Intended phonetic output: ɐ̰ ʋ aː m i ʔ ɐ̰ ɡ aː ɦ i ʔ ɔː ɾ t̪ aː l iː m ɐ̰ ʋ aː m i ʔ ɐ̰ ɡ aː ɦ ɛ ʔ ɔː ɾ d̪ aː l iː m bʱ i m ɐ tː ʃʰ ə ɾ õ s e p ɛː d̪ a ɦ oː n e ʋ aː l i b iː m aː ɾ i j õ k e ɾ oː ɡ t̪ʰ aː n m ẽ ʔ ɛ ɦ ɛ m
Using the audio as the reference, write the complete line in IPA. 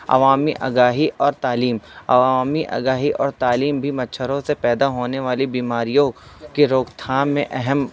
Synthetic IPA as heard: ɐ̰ ʋ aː m i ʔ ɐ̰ ɡ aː ɦ i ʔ ɔː ɾ t̪ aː l iː m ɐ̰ ʋ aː m i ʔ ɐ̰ ɡ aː ɦ i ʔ ɔː ɾ t̪ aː l iː m bʱ i m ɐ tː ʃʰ ə ɾ õ s e p ɛː d̪ a ɦ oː n e ʋ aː l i b iː m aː ɾ i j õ k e ɾ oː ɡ t̪ʰ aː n m ẽ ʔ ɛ ɦ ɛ m